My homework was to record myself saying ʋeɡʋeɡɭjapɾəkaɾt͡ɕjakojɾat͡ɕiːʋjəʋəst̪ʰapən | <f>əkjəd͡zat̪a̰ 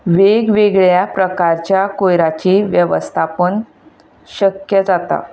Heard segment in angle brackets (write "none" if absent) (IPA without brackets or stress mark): ɕ